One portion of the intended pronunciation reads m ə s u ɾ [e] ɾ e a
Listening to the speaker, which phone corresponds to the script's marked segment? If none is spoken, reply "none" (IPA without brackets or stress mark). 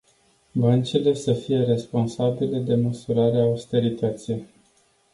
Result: a